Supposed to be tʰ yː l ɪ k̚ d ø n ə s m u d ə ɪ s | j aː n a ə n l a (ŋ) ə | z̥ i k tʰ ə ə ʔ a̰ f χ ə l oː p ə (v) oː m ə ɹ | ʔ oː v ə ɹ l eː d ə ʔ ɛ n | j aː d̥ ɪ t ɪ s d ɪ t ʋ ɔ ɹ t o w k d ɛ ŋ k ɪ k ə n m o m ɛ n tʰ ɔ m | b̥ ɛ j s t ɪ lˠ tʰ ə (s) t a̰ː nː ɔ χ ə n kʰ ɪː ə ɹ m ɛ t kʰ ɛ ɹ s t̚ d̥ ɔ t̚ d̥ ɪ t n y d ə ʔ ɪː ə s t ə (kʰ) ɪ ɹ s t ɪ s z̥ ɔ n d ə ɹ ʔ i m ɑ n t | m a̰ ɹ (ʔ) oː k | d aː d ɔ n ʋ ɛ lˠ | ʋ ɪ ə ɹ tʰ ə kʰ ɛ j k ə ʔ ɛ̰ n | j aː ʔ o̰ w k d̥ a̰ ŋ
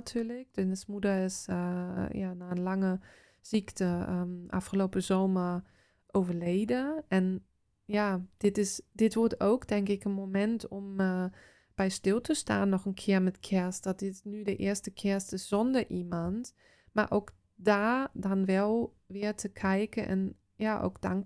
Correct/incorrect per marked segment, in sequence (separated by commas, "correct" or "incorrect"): correct, incorrect, correct, correct, correct